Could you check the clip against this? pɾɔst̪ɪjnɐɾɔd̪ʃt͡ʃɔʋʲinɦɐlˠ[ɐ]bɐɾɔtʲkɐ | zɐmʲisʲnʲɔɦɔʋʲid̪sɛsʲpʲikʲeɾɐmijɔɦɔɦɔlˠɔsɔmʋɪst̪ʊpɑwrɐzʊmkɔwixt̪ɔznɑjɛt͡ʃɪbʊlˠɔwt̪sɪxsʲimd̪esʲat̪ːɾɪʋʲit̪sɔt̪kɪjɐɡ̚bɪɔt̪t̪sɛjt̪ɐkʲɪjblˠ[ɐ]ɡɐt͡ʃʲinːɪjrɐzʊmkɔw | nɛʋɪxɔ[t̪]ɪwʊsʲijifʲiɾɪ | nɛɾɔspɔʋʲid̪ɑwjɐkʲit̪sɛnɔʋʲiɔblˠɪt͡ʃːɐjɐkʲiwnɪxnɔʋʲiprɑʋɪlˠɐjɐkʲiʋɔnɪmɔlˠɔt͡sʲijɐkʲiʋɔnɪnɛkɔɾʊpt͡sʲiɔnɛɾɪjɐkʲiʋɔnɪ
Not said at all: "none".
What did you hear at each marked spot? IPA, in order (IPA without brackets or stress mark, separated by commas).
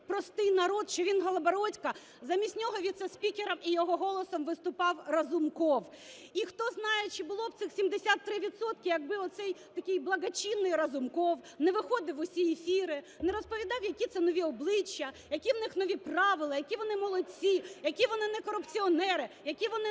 ɐ, ɐ, d̪